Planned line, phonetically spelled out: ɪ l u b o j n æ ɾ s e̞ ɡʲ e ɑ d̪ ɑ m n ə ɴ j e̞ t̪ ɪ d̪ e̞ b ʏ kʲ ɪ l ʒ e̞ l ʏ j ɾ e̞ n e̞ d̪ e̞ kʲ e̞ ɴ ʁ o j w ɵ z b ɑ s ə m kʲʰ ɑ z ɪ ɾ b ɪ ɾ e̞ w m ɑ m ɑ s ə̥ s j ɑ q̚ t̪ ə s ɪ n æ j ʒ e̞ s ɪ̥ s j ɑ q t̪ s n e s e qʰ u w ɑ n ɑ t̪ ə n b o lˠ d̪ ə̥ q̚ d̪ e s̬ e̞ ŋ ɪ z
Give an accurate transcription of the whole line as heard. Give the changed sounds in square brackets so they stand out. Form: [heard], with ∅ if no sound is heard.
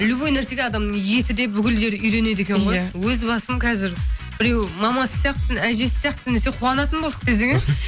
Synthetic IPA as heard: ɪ l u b o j n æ ɾ s e̞ ɡʲ e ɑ d̪ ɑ m n ə ɴ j e̞ t̪ ɪ d̪ e̞ b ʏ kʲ ɪ l ʒ e̞ [ɾ] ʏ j ɾ e̞ n e̞ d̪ e̞ kʲ e̞ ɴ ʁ o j w ɵ z b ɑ s ə m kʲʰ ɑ z ɪ ɾ b ɪ ɾ e̞ w m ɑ m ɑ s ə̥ s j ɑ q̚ t̪ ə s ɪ n æ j ʒ e̞ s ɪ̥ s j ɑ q t̪ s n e s e qʰ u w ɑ n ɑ t̪ ə n b o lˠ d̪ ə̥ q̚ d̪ e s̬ e̞ ŋ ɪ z